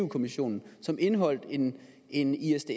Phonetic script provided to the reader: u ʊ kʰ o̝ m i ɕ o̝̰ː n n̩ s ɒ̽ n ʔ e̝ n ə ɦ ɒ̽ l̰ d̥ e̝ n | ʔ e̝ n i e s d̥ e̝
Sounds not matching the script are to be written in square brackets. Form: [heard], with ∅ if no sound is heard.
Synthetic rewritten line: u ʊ kʰ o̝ m i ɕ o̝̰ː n n̩ s ɒ̽ [m] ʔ e̝ n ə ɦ ɒ̽ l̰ d̥ e̝ n | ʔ e̝ n i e s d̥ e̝